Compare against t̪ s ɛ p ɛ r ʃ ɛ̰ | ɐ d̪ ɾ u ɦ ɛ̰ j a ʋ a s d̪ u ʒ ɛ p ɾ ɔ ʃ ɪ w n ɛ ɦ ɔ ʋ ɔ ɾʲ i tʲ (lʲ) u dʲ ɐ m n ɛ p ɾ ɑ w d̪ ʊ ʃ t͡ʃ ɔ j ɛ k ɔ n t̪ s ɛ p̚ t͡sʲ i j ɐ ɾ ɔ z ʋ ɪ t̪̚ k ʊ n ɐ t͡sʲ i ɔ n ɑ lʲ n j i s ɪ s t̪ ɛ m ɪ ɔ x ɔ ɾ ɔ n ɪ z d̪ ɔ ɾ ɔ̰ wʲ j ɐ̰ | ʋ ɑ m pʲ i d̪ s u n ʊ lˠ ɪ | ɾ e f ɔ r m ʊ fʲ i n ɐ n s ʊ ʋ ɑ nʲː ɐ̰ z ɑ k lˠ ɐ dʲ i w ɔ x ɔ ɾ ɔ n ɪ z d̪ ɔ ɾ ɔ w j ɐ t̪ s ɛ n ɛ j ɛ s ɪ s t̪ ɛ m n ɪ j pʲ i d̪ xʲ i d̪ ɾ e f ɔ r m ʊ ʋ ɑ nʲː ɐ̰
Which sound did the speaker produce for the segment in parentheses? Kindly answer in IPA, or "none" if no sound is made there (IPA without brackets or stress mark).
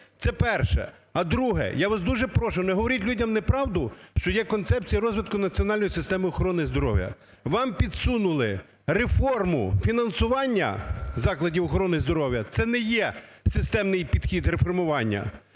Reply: lʲ